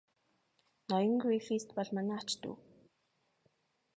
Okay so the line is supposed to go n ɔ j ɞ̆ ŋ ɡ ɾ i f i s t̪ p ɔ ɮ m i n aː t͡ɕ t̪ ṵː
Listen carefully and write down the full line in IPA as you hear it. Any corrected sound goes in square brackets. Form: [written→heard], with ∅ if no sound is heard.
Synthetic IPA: n ɔ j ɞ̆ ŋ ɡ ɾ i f i s t̪ p ɔ ɮ m [i→a] n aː t͡ɕ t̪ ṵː